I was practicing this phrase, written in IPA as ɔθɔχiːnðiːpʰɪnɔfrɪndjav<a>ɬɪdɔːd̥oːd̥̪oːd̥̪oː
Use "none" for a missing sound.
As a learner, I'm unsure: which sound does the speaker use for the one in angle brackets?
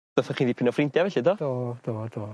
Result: ɛ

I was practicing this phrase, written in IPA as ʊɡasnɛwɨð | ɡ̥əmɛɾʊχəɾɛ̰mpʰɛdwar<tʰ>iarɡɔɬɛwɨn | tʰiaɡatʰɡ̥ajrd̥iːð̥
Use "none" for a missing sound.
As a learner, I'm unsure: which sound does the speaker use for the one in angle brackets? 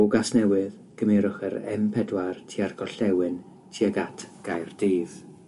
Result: tʰ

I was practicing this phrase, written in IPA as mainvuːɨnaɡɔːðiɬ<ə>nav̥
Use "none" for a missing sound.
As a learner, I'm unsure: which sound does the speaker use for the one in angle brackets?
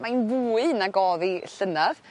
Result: ə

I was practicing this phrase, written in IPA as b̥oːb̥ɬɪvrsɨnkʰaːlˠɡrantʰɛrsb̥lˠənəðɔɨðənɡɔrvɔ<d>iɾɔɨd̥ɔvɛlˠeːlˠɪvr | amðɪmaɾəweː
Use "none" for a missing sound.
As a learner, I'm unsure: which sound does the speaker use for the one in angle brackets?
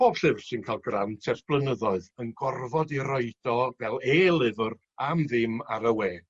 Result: d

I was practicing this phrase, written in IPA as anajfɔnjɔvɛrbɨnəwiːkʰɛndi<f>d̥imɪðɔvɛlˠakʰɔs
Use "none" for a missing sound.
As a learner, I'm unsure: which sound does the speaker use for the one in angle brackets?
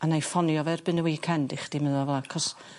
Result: χ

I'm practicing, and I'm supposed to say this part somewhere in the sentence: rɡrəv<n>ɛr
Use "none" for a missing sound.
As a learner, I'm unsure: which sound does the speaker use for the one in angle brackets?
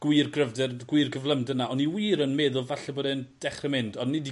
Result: d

